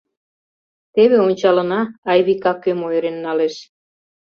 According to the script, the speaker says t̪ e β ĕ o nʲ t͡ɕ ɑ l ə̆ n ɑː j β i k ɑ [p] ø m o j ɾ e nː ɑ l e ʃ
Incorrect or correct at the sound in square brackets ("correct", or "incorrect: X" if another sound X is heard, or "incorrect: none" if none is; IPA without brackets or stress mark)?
incorrect: k